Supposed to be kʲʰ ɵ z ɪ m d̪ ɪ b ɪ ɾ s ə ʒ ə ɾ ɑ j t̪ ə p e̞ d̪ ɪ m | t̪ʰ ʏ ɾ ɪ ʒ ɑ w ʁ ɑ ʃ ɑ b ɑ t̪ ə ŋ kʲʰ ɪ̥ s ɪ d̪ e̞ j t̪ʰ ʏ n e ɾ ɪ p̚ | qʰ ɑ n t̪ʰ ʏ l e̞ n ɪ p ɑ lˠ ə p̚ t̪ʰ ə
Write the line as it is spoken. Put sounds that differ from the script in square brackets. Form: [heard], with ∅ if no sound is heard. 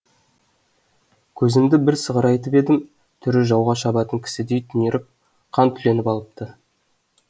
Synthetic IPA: kʲʰ ɵ z ɪ m d̪ ɪ b ɪ ɾ s ə [ʁ] ə ɾ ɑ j t̪ ə p e̞ d̪ ɪ m | t̪ʰ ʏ ɾ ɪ ʒ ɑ w ʁ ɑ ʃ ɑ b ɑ t̪ ə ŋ kʲʰ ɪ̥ s ɪ d̪ e̞ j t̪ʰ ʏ n e ɾ ɪ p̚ | qʰ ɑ n t̪ʰ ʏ l e̞ n ɪ p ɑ lˠ ə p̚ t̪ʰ ə